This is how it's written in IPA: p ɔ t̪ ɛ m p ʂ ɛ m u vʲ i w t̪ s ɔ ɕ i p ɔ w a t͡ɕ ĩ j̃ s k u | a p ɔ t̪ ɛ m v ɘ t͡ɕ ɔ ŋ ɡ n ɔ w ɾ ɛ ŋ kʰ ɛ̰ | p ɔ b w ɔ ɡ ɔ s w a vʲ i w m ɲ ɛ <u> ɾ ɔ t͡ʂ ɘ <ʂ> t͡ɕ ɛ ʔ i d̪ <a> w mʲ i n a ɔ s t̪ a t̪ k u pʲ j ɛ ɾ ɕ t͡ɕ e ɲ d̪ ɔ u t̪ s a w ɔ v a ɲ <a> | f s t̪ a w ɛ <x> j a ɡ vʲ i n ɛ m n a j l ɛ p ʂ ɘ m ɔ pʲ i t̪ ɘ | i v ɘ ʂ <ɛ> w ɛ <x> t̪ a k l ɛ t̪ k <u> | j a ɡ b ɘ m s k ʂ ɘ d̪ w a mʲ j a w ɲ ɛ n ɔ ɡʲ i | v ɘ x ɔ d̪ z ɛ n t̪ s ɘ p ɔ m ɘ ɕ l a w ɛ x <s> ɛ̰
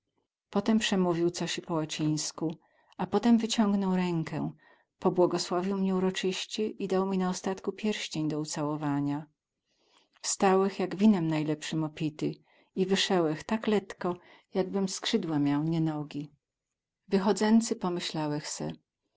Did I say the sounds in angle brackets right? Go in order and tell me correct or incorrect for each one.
correct, incorrect: ɕ, correct, correct, correct, correct, correct, incorrect: ɔ, correct

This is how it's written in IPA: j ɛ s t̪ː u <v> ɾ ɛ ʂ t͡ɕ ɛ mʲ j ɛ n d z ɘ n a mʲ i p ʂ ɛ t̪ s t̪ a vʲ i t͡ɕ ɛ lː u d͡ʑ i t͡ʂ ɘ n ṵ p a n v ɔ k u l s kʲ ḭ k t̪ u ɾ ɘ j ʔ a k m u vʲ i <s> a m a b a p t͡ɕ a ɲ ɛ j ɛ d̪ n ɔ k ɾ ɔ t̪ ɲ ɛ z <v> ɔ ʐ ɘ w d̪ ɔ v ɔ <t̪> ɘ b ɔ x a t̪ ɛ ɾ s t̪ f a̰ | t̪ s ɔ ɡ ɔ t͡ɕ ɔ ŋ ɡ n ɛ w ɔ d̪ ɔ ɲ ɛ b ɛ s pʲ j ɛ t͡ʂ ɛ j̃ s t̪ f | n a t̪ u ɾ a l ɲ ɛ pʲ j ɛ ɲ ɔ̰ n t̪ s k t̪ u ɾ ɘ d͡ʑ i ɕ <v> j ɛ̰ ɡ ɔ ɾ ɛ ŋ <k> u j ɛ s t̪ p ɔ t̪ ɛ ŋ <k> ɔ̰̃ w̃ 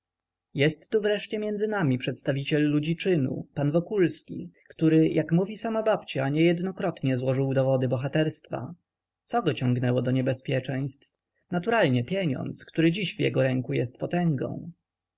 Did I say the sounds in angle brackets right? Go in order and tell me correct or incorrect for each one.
correct, correct, incorrect: w, incorrect: d̪, correct, correct, incorrect: ɡ

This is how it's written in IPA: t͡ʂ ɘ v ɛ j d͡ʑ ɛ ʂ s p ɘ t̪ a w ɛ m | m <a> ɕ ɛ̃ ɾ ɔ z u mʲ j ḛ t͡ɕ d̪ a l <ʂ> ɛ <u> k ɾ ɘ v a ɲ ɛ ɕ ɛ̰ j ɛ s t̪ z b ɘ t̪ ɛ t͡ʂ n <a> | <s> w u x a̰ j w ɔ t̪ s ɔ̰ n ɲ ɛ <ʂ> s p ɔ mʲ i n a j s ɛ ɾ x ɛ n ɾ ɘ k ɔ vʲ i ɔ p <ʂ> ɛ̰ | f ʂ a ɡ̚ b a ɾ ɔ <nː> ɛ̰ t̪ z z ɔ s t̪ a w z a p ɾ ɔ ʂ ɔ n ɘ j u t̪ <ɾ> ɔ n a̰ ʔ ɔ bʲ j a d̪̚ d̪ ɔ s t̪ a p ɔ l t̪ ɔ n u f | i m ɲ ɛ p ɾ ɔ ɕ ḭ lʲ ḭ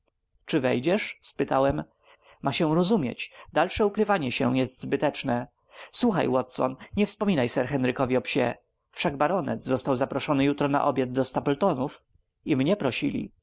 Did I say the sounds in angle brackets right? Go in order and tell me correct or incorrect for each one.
correct, correct, correct, incorrect: ɛ, correct, incorrect: f, incorrect: ɕ, incorrect: n, correct

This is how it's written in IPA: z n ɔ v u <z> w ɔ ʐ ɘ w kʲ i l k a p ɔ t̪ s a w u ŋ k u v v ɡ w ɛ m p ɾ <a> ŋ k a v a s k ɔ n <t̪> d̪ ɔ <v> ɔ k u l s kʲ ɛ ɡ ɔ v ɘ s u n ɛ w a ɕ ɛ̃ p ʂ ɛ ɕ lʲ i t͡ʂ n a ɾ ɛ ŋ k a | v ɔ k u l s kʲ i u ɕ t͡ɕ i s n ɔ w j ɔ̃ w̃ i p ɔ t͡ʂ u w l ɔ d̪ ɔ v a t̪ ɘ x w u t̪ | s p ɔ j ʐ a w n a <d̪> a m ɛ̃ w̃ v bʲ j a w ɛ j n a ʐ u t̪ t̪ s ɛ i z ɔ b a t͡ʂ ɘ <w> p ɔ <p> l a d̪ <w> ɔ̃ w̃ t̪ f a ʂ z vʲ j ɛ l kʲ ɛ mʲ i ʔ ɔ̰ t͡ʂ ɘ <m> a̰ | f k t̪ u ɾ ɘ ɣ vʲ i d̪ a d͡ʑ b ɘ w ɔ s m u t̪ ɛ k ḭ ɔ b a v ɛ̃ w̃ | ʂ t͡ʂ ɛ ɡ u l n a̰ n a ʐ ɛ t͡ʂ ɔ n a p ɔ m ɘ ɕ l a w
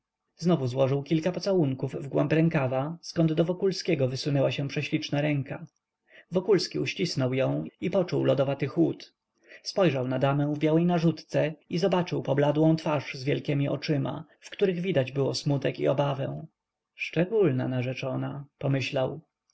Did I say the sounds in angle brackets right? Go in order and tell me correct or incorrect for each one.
correct, incorrect: ɛ, incorrect: d̪, correct, correct, correct, incorrect: b, correct, correct

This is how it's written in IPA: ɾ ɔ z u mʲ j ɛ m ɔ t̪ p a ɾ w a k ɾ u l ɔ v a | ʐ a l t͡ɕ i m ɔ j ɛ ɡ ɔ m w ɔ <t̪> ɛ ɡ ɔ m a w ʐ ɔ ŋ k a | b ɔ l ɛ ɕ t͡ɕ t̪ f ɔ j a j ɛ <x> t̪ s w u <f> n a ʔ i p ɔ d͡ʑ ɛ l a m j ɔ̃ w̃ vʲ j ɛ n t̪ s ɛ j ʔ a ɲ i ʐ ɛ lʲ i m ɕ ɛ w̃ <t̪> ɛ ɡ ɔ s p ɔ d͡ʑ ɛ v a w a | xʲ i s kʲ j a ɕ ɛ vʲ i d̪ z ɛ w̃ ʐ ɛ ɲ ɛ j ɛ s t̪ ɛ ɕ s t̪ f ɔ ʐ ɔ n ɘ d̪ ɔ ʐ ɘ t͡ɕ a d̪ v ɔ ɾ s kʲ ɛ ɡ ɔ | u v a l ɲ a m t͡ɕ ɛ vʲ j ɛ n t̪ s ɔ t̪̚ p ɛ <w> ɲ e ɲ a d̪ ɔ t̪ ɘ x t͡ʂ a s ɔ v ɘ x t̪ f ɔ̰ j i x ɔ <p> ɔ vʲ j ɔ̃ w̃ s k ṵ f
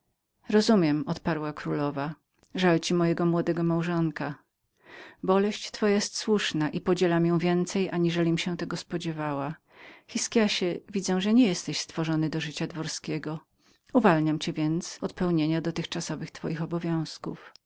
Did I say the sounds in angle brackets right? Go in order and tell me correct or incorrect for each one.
incorrect: d̪, incorrect: s, incorrect: ʂ, correct, correct, incorrect: b

